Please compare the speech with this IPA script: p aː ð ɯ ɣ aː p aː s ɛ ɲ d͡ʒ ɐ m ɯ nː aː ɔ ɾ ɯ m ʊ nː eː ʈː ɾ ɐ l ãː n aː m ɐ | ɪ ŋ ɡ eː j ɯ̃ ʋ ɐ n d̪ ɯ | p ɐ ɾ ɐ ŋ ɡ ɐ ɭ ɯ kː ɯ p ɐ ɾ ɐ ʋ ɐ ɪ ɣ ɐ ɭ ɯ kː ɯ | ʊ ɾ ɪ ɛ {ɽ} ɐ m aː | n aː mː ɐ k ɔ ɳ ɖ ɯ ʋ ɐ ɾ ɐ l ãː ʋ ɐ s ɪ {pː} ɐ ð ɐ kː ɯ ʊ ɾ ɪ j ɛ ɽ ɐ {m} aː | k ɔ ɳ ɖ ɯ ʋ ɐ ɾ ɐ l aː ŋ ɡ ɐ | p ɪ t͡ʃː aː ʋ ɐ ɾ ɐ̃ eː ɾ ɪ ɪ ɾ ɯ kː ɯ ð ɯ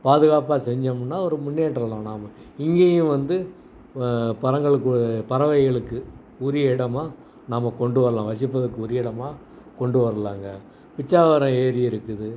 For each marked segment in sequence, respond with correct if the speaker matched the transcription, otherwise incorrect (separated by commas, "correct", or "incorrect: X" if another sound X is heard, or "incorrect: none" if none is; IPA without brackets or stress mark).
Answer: correct, correct, correct